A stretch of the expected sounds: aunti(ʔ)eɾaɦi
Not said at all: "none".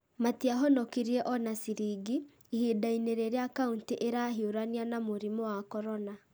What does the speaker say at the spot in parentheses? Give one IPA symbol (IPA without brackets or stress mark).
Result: ʔ